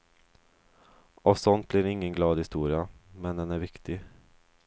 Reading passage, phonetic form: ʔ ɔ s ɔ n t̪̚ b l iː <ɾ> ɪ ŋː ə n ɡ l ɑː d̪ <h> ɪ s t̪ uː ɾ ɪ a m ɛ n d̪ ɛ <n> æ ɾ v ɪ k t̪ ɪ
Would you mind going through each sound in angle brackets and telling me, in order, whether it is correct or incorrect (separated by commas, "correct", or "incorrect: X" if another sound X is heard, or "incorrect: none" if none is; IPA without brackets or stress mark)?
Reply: correct, correct, correct